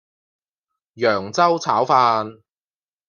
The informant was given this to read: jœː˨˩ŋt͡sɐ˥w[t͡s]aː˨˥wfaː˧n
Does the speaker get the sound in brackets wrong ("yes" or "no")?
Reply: yes